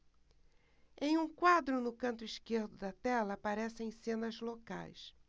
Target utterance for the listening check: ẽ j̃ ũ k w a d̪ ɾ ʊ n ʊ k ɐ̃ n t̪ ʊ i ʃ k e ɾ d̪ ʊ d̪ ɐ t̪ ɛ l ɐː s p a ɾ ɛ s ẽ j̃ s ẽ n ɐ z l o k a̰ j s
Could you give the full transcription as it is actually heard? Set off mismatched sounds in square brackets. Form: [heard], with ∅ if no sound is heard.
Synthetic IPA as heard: ẽ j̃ ũ k w a d̪ ɾ ʊ n ʊ k ɐ̃ n t̪ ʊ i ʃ k e ɾ d̪ ʊ d̪ ɐ t̪ ɛ l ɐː [∅] p a ɾ ɛ s ẽ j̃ s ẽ n ɐ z l o k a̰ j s